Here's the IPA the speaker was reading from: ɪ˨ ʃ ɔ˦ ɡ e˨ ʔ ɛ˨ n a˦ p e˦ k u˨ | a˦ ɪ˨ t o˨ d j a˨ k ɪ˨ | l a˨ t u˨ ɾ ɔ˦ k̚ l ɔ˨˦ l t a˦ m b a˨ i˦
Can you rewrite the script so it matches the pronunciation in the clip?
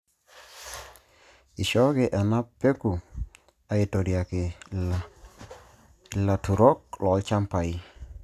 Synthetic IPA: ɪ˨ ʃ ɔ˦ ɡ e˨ ʔ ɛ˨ n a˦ p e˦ k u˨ | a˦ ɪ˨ t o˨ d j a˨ k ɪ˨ | l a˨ t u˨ ɾ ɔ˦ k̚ l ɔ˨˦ l t͡ʃ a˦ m p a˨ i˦